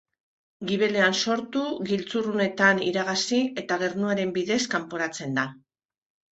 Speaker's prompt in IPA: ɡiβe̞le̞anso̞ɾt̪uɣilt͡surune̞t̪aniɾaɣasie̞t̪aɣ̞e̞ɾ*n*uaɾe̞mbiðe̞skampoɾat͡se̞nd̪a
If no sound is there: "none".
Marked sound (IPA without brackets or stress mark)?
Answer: n